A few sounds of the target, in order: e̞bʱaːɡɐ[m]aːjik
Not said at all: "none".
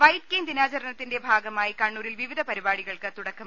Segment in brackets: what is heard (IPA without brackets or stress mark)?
m